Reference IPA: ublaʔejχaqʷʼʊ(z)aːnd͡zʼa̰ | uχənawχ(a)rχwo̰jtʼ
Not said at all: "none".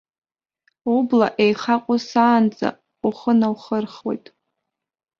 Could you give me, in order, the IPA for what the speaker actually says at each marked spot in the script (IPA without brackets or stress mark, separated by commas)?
s, ə